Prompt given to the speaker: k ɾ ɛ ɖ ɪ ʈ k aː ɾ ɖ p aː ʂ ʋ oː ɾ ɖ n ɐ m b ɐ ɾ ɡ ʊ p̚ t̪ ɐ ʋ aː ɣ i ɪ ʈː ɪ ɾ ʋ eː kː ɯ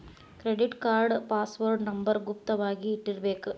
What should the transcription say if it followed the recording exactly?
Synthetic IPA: k ɾ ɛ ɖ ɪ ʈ k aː ɾ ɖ p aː s ʋ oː ɾ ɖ n ɐ m b ɐ ɾ ɡ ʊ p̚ t̪ ɐ ʋ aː ɣ i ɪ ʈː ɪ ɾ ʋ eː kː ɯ

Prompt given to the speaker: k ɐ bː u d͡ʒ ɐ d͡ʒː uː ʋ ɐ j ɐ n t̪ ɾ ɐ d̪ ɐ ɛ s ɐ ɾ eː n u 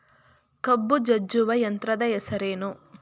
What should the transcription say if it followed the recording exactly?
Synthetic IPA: k ɐ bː u d͡ʒ ɐ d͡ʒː u ʋ ɐ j ɐ n t̪ ɾ ɐ d̪ ɐ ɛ s ɐ ɾ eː n u

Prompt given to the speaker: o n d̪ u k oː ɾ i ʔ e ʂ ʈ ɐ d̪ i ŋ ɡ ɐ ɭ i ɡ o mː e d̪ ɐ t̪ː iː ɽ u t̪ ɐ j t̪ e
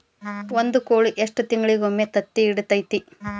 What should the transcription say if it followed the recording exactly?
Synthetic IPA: o n d̪ u k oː ɭ i ʔ e ʂ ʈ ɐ t̪ i ŋ ɡ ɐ ɭ i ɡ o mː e t̪ ɐ t̪ː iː ɽ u t̪ ɐ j t̪ i

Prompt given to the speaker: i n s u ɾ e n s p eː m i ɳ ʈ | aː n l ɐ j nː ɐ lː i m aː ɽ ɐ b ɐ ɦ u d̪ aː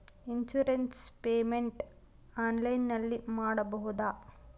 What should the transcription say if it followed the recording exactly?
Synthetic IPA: i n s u ɾ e n s p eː m e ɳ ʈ | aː n l ɐ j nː ɐ lː i m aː ɽ ɐ b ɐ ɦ u d̪ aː

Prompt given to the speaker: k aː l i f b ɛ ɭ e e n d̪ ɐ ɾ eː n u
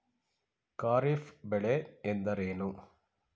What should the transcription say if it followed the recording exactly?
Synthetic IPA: k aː ɾ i f b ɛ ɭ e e n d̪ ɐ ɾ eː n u

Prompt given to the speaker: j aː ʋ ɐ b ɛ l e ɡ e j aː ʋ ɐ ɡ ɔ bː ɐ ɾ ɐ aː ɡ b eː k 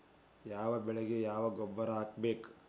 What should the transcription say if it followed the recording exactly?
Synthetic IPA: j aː ʋ ɐ b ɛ ɭ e ɡ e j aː ʋ ɐ ɡ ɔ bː ɐ ɾ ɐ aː k b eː k

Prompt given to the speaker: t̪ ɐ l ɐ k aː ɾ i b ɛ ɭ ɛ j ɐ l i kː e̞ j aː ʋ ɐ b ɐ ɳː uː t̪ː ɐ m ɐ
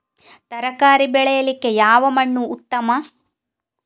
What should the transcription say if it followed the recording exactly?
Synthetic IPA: t̪ ɐ ɾ ɐ k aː ɾ i b ɛ ɭ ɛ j ɐ l i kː e̞ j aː ʋ ɐ m ɐ ɳː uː t̪ː ɐ m ɐ

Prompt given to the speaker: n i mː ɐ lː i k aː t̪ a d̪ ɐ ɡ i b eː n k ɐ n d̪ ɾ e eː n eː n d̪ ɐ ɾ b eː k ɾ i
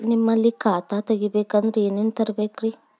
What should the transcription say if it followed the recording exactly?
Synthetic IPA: n i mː ɐ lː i k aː t̪ a t̪ ɐ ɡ i b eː k ɐ n d̪ ɾ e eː n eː n t̪ ɐ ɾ b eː k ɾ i

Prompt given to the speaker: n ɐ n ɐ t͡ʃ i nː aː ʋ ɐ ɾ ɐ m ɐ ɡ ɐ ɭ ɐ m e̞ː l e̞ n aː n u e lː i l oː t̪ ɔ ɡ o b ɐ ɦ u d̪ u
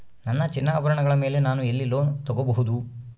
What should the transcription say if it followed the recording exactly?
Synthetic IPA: n ɐ nː ɐ t͡ʃ i nː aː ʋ ɐ ɾ ɐ ɳ ɐ ɡ ɐ ɭ ɐ m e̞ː l e̞ n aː n u e lː i l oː t̪ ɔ ɡ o b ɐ ɦ u d̪ u

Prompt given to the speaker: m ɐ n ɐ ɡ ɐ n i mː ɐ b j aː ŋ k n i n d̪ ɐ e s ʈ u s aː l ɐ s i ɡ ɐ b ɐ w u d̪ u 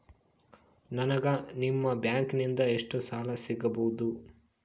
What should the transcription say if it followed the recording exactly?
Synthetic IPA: n ɐ n ɐ ɡ ɐ n i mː ɐ b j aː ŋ k n i n d̪ ɐ e ʂ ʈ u s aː l ɐ s i ɡ ɐ b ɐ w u d̪ u

